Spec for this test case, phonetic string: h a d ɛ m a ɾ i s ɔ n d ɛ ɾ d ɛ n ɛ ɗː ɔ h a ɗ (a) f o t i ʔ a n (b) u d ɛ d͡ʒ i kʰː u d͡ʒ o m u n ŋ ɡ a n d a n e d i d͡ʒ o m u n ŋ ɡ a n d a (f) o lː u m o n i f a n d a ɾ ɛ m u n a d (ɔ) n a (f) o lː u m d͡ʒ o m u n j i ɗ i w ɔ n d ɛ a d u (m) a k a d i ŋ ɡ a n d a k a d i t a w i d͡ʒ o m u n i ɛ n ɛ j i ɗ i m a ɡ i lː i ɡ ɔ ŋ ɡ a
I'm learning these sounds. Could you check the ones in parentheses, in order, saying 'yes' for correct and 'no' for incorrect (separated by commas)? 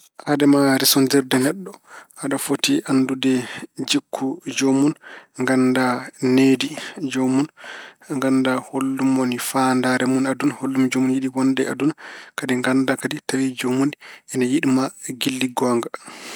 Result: yes, no, no, no, no, no